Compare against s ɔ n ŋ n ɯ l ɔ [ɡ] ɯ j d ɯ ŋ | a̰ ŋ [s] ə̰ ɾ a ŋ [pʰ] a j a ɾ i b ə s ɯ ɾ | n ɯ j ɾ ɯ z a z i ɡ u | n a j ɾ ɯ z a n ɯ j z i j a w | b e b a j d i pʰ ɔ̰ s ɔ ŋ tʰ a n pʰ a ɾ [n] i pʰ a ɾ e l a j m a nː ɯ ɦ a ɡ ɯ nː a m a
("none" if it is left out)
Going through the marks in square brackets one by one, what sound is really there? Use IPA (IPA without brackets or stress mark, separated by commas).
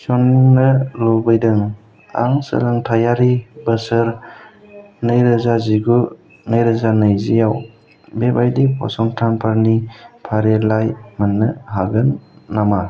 b, s, tʰ, n